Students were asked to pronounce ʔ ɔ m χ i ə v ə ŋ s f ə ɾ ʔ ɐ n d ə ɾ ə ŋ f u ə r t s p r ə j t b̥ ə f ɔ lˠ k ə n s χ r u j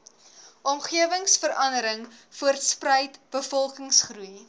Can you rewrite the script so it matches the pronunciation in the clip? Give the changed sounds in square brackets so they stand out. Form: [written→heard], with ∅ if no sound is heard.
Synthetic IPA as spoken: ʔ ɔ m χ i ə v ə ŋ s f ə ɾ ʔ ɐ n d ə ɾ ə ŋ f u ə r t s p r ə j t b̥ ə f ɔ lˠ k ə [n→ŋ] s χ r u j